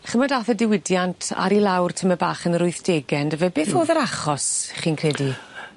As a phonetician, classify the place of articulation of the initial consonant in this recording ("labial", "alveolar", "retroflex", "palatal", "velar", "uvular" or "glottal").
uvular